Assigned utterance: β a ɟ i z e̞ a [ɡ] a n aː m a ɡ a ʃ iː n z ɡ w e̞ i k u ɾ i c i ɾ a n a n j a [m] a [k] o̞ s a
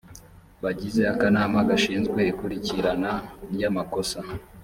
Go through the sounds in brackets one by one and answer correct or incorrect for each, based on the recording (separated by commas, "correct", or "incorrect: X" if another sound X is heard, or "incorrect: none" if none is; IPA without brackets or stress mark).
incorrect: k, correct, correct